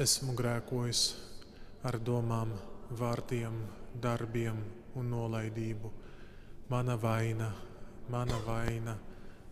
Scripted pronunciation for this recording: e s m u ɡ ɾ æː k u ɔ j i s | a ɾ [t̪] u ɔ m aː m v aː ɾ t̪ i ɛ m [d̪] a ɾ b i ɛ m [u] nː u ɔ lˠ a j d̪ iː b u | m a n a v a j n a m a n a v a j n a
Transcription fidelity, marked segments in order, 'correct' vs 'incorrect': incorrect: d̪, correct, correct

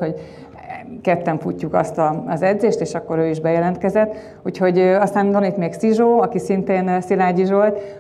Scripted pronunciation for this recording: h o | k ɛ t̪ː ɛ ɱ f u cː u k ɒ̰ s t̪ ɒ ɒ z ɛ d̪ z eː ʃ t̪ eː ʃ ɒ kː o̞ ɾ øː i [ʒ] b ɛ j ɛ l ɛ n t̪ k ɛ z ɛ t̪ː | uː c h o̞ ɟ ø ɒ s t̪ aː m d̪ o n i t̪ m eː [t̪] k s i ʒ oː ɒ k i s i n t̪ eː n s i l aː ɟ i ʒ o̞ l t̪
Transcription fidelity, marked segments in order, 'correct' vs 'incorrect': correct, incorrect: none

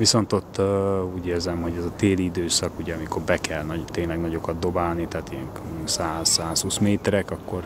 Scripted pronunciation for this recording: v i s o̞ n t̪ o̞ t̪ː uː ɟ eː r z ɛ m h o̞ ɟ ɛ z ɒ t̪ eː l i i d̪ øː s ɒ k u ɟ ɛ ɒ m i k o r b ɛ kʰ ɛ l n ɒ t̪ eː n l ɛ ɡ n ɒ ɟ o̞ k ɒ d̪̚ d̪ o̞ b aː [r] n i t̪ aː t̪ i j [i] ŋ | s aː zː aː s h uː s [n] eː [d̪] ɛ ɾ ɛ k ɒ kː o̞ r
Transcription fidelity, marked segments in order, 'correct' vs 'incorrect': incorrect: l, incorrect: ɛ, incorrect: m, incorrect: t̪

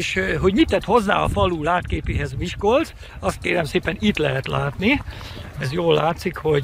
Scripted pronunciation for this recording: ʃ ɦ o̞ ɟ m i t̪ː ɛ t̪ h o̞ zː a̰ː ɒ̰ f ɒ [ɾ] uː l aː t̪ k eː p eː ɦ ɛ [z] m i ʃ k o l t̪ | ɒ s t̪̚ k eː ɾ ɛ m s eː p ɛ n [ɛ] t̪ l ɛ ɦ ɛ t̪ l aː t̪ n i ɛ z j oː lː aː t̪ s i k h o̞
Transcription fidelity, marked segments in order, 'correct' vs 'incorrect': incorrect: l, correct, incorrect: i

